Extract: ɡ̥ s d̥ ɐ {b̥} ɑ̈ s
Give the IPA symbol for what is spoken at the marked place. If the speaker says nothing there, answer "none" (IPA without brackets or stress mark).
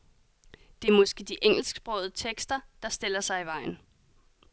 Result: d̥